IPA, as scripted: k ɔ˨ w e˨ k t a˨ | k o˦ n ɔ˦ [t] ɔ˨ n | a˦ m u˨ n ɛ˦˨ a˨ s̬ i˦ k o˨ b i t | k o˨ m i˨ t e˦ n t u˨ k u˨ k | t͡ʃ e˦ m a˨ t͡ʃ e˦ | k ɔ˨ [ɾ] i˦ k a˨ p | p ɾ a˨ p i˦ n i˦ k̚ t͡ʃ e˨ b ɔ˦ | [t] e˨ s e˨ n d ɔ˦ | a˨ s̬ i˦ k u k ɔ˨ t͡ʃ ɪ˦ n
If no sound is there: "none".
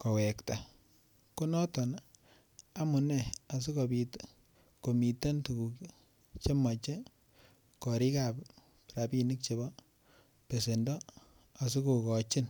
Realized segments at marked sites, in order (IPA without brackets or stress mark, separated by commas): t, ɾ, p